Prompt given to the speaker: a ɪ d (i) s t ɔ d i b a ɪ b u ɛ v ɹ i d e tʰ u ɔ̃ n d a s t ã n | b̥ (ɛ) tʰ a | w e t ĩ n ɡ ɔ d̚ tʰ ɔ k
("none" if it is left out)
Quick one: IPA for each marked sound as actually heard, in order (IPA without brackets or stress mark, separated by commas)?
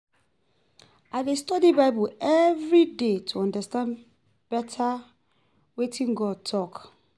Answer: e, ɛ